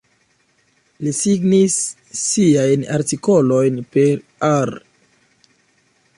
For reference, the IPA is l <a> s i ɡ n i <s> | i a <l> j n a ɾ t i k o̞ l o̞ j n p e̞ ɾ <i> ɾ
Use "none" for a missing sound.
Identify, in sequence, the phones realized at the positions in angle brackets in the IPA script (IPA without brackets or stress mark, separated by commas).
i, sː, none, a